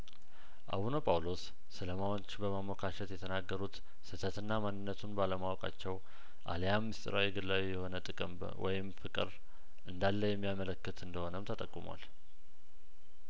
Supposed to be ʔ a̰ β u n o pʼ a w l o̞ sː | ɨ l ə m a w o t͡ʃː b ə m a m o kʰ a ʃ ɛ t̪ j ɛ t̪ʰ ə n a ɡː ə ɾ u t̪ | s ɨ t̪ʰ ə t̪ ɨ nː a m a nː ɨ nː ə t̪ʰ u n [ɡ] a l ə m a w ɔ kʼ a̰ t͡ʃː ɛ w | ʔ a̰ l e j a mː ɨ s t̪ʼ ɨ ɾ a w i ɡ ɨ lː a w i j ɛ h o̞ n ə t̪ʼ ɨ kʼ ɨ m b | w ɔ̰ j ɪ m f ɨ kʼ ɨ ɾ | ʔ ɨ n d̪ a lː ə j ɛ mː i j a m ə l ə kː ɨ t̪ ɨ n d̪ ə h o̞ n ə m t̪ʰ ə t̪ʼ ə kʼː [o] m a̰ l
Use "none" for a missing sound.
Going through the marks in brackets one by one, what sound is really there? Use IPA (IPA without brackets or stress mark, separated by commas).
b, u